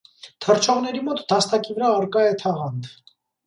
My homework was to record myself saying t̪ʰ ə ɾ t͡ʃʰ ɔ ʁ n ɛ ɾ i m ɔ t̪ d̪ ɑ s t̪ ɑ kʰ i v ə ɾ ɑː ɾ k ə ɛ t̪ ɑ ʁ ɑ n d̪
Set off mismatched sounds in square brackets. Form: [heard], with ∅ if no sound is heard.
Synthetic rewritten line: t̪ʰ ə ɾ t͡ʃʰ ɔ ʁ n ɛ ɾ i m ɔ t̪ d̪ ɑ s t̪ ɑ [k] i v ə ɾ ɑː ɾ k [ɑ] ɛ [t̪ʰ] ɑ ʁ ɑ n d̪